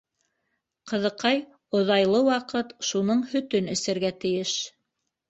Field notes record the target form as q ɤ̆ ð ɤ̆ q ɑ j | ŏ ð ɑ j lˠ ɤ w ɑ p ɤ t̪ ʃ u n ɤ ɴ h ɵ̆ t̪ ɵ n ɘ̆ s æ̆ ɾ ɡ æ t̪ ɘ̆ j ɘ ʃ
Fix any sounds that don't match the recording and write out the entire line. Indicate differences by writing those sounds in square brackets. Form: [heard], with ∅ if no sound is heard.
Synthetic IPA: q ɤ̆ ð ɤ̆ q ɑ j | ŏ ð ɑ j lˠ ɤ w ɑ [q] ɤ t̪ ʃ u n ɤ ɴ h ɵ̆ t̪ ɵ n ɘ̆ s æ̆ ɾ ɡ æ t̪ ɘ̆ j ɘ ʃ